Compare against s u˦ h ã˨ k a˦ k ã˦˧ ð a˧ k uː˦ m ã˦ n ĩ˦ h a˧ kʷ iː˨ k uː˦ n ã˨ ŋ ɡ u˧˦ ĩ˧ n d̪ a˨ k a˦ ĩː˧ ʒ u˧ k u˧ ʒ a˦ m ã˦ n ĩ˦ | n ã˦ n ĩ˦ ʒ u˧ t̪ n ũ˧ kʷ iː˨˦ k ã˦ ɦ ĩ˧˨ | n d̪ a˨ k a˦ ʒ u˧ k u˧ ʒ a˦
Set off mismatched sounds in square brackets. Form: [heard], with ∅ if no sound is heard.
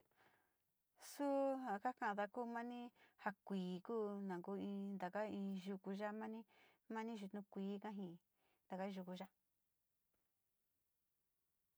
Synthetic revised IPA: s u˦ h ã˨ k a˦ k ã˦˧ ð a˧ k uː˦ m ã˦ n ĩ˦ h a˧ kʷ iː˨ k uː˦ n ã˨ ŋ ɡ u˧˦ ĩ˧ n d̪ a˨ k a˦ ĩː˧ ʒ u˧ k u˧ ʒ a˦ m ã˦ n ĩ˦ | [m] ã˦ n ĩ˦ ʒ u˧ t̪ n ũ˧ kʷ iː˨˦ k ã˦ ɦ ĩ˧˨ | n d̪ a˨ k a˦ ʒ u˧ k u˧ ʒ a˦